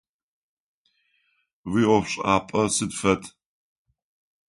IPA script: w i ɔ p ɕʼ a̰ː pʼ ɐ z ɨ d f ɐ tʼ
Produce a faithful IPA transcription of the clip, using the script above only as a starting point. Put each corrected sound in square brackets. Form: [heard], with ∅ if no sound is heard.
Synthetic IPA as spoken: w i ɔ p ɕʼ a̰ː pʼ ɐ [s] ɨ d f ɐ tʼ